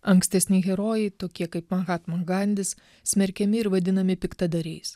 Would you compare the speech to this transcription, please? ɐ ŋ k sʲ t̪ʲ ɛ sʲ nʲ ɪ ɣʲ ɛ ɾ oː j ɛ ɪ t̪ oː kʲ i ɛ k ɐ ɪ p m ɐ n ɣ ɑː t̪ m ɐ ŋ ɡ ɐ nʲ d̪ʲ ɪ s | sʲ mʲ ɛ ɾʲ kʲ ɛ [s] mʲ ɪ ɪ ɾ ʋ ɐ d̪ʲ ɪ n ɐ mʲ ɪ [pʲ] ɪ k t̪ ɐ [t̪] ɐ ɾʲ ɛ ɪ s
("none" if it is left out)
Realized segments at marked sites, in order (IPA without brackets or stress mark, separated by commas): none, pʲ, d̪